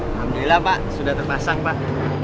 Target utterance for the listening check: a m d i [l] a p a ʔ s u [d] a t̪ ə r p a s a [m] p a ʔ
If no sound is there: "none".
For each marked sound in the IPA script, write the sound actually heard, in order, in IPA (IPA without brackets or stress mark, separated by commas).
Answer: l, d, ŋ